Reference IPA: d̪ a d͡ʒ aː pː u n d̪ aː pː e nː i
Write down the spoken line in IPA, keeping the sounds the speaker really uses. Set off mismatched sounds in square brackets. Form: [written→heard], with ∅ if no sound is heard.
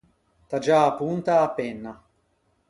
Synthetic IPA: [d̪→t̪] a d͡ʒ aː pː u n [d̪→t̪] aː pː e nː [i→a]